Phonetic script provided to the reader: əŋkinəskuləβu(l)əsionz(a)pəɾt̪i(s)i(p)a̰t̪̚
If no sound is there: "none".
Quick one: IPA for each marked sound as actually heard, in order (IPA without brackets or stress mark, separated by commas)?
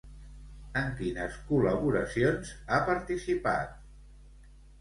ɾ, a, s, p